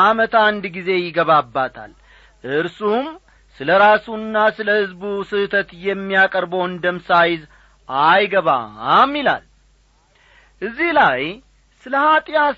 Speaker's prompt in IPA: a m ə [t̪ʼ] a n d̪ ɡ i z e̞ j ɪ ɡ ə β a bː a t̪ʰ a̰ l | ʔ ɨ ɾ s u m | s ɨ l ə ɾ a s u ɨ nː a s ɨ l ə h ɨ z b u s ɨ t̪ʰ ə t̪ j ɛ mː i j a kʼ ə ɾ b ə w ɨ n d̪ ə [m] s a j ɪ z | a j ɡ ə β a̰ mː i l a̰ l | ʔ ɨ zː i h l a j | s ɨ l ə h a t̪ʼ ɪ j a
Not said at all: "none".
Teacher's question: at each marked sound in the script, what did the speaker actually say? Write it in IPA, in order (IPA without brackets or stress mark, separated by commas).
t̪, m